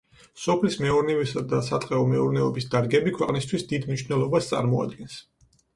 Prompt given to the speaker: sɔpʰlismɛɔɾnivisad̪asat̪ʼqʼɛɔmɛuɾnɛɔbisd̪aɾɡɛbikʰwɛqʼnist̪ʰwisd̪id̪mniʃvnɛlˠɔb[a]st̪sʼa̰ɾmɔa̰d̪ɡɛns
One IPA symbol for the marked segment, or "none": a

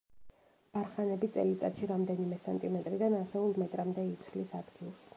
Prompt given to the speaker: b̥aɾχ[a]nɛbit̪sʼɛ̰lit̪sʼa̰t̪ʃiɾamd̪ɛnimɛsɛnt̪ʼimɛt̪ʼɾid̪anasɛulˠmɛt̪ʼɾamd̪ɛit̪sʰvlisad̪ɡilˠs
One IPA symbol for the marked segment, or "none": a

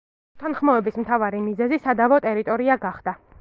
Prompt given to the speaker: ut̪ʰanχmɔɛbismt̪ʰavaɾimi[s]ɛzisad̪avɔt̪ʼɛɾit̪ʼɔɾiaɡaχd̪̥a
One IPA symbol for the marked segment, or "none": z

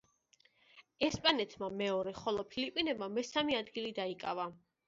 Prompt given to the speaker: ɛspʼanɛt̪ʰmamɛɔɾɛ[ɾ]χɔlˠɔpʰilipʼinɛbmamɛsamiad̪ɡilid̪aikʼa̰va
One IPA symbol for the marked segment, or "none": none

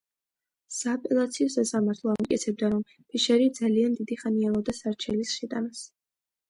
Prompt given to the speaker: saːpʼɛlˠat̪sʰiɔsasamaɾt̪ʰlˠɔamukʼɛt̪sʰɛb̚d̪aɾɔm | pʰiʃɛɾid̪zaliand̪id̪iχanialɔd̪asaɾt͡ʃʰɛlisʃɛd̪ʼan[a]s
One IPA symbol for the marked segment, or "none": a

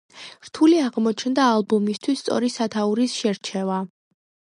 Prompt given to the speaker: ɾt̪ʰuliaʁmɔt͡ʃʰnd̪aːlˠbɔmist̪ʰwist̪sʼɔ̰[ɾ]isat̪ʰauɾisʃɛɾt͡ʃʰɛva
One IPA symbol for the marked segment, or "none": ɾ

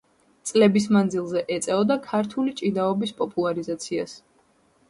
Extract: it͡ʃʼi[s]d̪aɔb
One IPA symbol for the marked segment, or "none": none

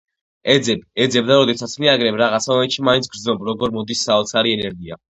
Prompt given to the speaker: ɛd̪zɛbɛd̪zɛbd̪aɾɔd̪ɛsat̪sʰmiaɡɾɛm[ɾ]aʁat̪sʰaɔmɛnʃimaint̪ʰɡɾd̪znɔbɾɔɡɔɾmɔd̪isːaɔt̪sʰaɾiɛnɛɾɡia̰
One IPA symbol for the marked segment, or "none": ɾ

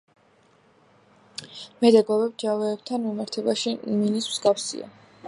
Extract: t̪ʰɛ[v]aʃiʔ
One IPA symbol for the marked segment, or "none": b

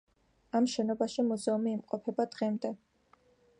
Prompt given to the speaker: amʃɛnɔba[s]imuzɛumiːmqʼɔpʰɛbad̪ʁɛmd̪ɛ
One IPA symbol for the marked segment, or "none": ʃ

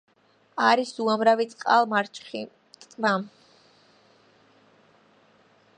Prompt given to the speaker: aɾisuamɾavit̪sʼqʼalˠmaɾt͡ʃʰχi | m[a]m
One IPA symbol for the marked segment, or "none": a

